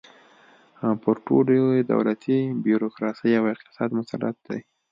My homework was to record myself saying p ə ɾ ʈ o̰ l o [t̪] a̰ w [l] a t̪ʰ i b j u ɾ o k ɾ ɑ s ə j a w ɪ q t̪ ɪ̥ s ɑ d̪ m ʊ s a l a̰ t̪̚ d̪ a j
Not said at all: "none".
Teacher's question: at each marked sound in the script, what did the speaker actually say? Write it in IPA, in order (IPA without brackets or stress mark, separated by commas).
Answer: d̪, l